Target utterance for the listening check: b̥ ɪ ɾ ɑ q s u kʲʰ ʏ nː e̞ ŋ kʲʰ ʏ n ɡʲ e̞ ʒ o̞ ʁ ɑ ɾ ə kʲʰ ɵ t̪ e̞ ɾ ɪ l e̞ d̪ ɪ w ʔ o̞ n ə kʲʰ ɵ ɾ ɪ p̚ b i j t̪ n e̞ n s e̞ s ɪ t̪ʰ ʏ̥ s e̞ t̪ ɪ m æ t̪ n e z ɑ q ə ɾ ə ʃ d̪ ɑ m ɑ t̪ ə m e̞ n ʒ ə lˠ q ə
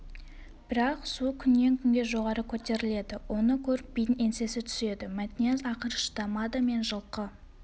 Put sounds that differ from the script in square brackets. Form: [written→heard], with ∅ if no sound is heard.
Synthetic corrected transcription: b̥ ɪ ɾ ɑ q s u kʲʰ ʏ nː e̞ ŋ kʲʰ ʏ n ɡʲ e̞ ʒ o̞ ʁ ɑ ɾ ə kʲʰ ɵ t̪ e̞ ɾ ɪ l e̞ d̪ ɪ w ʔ o̞ n ə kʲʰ ɵ ɾ ɪ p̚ b i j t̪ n e̞ n s e̞ s ɪ t̪ʰ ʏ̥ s e̞ [t̪→d̪] ɪ m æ t̪ n e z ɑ q ə ɾ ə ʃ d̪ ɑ m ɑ [t̪→d̪] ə m e̞ n ʒ ə lˠ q ə